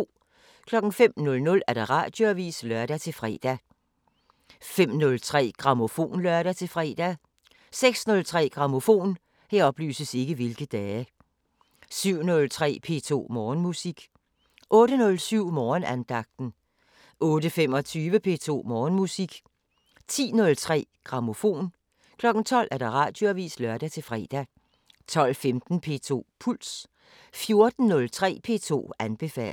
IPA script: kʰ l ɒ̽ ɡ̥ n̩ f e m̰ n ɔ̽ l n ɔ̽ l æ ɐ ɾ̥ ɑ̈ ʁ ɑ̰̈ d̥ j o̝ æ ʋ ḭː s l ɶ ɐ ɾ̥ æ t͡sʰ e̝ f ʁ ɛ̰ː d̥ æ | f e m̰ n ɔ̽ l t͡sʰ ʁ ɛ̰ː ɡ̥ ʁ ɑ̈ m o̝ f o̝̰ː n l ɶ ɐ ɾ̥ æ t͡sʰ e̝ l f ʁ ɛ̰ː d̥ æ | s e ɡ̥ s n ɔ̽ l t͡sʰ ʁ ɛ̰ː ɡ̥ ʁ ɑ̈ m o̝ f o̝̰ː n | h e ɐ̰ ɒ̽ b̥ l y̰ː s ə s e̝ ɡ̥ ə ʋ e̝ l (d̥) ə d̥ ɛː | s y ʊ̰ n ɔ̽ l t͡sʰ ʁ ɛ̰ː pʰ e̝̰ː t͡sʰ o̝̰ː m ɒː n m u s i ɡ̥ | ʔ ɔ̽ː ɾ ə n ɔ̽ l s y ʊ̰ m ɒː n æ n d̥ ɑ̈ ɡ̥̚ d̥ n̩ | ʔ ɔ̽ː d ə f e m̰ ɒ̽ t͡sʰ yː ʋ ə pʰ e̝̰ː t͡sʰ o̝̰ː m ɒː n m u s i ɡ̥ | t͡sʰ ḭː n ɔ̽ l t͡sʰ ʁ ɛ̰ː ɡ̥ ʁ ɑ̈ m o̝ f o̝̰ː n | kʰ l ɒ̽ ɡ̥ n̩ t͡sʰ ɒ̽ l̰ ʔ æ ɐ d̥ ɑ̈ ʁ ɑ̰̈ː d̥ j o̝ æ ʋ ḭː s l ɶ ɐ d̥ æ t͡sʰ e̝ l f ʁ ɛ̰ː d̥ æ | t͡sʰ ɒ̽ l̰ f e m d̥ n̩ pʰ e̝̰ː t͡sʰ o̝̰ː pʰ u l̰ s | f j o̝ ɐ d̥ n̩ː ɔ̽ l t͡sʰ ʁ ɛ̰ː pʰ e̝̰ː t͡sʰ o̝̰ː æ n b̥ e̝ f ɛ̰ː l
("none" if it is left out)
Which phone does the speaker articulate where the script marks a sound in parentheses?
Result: ɡ̥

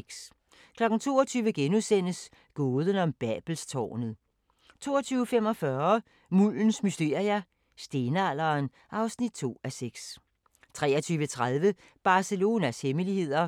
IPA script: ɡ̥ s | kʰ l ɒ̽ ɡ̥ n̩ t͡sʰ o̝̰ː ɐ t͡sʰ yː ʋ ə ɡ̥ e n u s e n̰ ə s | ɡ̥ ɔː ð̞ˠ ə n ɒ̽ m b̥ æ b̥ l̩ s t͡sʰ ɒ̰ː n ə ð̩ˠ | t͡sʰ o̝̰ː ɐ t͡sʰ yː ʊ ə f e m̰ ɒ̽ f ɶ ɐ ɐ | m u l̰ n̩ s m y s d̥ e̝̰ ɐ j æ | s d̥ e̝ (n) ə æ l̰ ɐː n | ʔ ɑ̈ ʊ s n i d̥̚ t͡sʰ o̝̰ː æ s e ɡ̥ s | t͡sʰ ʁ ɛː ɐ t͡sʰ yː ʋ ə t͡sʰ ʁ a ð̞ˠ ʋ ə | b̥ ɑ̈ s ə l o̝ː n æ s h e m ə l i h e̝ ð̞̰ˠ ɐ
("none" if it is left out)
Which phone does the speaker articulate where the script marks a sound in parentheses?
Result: n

